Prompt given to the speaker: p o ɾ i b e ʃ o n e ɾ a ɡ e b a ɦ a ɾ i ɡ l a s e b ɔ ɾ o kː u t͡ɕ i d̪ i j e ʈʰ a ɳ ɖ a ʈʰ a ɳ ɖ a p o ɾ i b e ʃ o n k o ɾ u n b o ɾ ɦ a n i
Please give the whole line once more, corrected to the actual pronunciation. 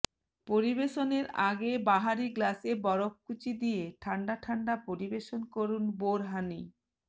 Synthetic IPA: p o ɾ i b e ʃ o n e ɾ a ɡ e b a ɦ a ɾ i ɡ l a s e b ɔ ɾ o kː u t͡ɕ i d̪ i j e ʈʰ a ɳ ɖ a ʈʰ a ɳ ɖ a p o ɾ i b e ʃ o n k o ɾ u n b o ɾ ɦ a n i